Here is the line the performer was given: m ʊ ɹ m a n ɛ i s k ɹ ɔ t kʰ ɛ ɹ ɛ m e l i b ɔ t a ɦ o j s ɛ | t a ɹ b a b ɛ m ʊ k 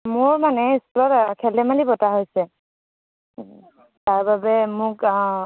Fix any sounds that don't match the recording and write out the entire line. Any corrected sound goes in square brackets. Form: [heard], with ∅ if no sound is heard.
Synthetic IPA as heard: m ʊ ɹ m a n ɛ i s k [l] ɔ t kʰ ɛ [l] ɛ m [a] l i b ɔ t a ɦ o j s ɛ | t a ɹ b a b ɛ m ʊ k